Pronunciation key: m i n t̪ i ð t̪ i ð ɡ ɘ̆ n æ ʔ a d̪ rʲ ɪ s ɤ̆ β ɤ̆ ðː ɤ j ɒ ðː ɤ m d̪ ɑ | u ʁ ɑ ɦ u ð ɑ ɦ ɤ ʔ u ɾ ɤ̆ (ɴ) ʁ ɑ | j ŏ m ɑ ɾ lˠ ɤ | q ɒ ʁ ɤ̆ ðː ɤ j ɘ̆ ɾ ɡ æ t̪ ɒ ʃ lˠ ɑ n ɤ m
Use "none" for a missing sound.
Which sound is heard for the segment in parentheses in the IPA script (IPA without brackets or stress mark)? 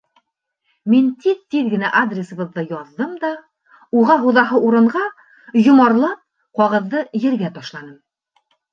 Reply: ɴ